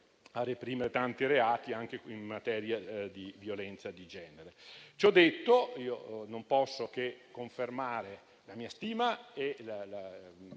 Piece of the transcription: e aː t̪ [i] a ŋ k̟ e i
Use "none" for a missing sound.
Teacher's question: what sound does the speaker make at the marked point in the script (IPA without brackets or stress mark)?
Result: i